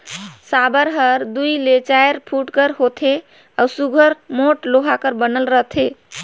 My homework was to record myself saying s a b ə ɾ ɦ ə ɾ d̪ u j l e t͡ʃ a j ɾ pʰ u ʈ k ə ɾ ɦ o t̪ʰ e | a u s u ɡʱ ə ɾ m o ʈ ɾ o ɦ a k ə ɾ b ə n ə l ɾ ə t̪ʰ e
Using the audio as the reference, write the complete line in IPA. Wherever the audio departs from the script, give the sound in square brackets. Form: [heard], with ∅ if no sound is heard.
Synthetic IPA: s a b ə ɾ ɦ ə ɾ d̪ u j l e t͡ʃ a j ɾ pʰ u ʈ k ə ɾ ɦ o t̪ʰ e | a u s u ɡʱ ə ɾ m o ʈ [l] o ɦ a k ə ɾ b ə n ə l ɾ ə t̪ʰ e